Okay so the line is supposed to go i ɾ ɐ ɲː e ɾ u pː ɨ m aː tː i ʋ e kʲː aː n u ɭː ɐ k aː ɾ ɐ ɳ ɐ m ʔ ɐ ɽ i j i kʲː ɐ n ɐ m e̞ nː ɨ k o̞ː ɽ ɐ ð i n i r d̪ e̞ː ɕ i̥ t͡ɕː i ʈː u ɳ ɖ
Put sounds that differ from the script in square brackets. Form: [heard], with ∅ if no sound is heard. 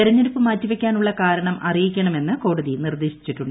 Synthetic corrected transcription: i ɾ ɐ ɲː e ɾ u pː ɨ m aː tː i ʋ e kʲː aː n u ɭː ɐ k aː ɾ ɐ ɳ ɐ m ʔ ɐ [r] i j i kʲː ɐ [ɳ] ɐ m e̞ nː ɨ k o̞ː ɽ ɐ ð i n i r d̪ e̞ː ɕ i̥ t͡ɕː i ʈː u ɳ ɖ